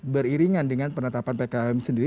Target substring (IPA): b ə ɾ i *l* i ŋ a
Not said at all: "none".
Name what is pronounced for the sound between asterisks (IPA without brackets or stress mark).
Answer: ɾ